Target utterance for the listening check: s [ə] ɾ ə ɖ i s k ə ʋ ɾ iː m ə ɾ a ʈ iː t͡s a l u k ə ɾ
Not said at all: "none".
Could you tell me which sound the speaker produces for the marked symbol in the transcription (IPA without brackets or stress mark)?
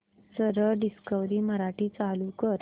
ə